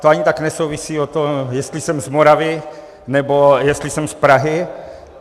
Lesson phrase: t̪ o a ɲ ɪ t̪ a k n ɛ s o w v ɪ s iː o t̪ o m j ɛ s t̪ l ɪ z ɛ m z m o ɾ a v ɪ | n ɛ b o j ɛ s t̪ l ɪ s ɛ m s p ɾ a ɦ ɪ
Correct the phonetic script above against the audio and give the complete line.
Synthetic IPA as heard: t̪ o a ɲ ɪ t̪ a k n ɛ s o w v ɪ s iː o t̪ o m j ɛ s t̪ l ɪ s ɛ m z m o ɾ a v ɪ | n ɛ b o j ɛ s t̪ l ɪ s ɛ m s p ɾ a ɦ ɪ